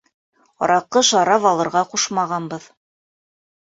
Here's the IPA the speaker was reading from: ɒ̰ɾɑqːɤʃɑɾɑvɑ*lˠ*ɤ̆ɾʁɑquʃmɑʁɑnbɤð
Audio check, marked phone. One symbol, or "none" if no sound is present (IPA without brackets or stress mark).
lˠ